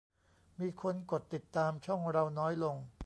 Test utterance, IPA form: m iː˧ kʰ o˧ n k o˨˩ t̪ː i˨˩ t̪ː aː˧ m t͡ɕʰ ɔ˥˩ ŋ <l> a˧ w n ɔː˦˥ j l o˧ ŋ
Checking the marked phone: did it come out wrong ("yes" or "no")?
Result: yes